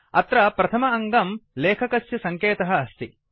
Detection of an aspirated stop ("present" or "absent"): present